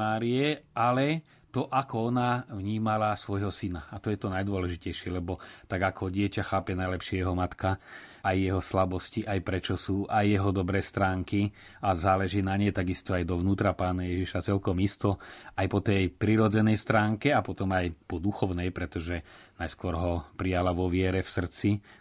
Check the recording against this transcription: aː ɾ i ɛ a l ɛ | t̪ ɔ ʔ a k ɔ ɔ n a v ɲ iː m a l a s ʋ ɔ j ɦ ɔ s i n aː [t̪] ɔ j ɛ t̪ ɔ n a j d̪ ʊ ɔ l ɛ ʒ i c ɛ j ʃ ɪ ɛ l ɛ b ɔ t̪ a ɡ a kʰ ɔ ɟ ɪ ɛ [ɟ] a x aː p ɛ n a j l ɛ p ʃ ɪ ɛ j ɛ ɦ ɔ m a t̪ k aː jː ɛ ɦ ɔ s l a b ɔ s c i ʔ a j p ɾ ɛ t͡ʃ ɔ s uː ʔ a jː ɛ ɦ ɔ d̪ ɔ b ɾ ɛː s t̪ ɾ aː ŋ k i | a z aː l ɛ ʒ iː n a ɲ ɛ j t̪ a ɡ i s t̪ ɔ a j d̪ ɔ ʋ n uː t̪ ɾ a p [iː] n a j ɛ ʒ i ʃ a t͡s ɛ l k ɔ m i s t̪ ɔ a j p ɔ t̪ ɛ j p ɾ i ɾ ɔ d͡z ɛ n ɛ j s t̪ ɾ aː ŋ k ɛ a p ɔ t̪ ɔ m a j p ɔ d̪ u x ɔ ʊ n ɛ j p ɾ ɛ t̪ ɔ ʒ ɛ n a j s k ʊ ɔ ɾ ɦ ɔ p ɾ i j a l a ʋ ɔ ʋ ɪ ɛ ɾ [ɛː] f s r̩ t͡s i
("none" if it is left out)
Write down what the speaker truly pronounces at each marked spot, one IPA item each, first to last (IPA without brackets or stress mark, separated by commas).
t̪, c, aː, ɛ